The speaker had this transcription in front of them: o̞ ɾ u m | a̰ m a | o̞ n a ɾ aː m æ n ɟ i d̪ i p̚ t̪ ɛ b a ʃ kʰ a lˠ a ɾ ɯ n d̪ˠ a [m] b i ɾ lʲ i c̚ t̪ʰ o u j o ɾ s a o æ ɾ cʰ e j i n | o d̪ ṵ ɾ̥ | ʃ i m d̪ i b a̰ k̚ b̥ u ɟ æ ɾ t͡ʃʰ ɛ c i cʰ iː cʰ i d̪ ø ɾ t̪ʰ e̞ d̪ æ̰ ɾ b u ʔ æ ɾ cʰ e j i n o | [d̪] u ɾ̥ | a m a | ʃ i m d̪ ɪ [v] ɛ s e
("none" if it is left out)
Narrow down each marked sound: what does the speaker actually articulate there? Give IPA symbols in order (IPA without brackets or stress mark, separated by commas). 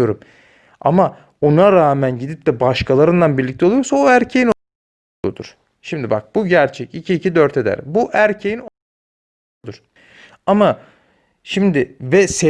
n, d̪, v